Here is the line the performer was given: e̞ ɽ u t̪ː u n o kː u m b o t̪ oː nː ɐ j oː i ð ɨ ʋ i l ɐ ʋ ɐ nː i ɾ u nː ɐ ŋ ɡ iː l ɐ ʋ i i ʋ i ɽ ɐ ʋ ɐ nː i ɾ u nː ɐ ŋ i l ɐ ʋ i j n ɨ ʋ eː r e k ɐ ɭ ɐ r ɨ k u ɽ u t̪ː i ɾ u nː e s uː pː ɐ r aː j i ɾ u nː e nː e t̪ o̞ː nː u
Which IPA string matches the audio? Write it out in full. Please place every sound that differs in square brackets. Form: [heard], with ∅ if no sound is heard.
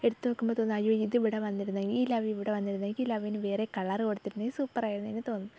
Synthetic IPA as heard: e̞ ɽ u t̪ː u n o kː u m b o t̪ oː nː ɐ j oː i ð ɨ ʋ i [ɽ] ɐ ʋ ɐ nː i ɾ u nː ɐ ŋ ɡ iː l ɐ ʋ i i ʋ i ɽ ɐ ʋ ɐ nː i ɾ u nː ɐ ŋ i l ɐ ʋ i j n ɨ ʋ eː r e k ɐ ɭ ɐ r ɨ k [o] ɽ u t̪ː i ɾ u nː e s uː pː ɐ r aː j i ɾ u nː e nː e t̪ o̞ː nː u